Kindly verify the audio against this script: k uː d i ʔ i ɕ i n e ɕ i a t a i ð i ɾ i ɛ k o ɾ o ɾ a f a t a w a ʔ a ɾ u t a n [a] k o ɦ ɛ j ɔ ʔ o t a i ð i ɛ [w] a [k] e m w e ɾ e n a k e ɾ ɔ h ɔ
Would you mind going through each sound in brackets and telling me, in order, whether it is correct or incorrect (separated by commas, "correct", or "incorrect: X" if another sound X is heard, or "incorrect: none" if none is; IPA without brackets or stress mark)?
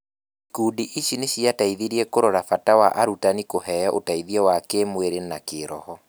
incorrect: i, correct, correct